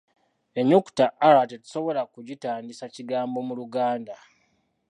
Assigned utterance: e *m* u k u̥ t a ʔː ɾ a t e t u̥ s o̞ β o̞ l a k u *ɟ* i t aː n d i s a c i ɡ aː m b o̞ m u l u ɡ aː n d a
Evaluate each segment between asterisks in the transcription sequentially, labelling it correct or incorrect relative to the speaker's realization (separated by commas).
incorrect, correct